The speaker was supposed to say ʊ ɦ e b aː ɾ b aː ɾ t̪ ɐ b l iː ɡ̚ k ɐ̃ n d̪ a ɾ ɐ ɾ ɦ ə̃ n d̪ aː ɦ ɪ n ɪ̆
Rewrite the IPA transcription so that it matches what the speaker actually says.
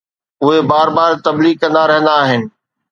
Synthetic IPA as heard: ʊ ɦ e b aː ɾ b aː ɾ t̪ ɐ b l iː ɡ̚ k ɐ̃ n d̪ a ɾ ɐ ɦ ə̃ n d̪ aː ɦ ɪ n ɪ̆